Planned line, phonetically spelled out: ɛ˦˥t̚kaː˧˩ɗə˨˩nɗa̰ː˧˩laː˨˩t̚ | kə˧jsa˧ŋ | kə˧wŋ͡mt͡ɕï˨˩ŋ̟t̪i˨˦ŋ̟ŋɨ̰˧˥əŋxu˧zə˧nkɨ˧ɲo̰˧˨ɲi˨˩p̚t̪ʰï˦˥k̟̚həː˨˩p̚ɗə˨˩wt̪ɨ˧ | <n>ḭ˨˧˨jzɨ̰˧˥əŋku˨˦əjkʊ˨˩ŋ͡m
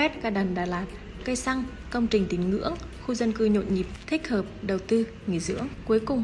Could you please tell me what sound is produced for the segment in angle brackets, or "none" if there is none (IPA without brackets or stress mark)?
ŋ